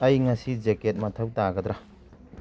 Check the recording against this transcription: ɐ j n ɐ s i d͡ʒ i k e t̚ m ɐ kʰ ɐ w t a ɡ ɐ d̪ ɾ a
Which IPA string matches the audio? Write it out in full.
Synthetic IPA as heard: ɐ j ŋ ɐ s i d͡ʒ e k e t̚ m ɐ tʰ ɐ w t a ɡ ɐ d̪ ɾ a